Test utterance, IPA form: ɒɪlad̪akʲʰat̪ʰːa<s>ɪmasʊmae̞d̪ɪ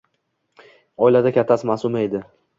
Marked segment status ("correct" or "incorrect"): correct